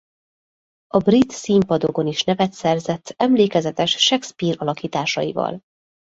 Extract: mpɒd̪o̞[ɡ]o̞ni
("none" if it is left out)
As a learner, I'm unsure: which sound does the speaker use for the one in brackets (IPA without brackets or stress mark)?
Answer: ɡ